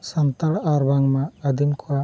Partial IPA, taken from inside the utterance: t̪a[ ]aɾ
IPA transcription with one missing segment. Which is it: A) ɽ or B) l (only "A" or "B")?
A